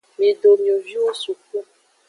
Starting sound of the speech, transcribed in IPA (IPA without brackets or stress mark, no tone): m